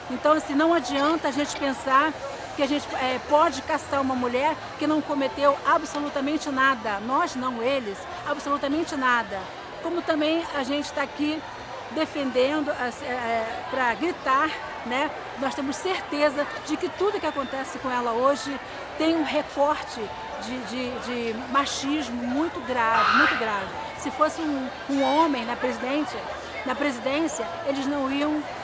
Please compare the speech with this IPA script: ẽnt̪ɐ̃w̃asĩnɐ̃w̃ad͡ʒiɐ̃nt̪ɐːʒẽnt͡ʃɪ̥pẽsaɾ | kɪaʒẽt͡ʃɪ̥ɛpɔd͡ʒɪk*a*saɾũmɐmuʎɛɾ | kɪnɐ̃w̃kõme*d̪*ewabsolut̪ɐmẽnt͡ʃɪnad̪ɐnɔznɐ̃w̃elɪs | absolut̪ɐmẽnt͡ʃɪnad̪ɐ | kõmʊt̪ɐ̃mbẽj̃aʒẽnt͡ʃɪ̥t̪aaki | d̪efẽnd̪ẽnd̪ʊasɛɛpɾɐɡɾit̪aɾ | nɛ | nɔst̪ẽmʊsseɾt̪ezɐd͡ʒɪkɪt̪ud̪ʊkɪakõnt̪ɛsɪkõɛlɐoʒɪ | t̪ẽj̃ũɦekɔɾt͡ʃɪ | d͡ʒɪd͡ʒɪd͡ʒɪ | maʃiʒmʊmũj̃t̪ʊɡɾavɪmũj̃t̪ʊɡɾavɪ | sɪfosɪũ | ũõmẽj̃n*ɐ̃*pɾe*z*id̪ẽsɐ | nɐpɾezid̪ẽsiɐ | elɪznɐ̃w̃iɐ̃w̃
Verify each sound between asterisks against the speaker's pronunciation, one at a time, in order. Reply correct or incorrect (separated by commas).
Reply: correct, incorrect, incorrect, correct